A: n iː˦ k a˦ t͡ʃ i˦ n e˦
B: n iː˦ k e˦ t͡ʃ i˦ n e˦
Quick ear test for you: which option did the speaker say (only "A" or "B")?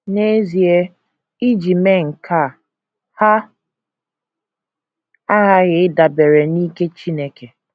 B